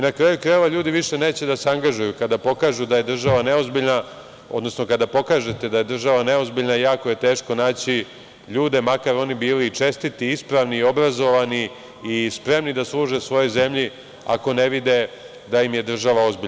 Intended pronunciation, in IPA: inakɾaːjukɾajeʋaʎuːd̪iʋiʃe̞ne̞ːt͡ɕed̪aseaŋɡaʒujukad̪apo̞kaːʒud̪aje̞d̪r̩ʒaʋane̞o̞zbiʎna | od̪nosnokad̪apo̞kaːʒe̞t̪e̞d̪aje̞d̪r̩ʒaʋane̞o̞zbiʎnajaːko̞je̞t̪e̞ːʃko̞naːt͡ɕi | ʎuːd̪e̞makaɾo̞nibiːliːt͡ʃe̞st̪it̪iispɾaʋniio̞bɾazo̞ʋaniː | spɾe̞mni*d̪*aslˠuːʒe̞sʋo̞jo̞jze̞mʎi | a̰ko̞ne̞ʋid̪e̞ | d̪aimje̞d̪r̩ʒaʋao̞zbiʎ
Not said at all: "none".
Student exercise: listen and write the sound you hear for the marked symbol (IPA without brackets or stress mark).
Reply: d̪